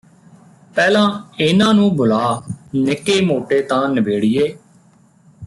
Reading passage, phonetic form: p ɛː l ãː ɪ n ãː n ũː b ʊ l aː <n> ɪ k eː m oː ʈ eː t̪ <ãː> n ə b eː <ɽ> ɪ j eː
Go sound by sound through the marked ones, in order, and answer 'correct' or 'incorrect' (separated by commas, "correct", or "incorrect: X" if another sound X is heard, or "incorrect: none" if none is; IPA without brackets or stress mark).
correct, correct, correct